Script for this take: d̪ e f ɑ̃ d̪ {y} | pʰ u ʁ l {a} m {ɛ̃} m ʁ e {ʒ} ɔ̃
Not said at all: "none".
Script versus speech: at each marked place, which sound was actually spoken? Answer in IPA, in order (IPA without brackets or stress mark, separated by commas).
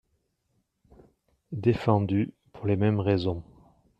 y, e, ɛ, z